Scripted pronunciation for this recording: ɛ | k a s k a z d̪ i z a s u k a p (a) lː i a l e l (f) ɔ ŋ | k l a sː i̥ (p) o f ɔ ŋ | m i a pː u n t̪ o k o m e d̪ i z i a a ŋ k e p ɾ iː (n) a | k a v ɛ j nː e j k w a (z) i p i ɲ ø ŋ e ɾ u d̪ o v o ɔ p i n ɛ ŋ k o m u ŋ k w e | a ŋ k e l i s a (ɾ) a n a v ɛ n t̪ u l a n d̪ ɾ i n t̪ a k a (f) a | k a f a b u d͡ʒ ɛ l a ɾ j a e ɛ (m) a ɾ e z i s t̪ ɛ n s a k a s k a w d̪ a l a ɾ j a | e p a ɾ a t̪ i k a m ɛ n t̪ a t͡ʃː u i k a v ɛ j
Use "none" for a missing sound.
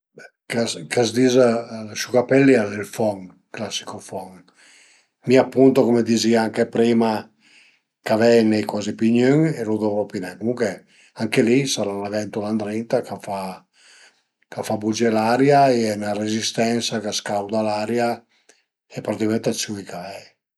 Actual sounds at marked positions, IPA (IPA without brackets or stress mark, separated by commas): ɛ, f, k, m, z, ɾ, f, n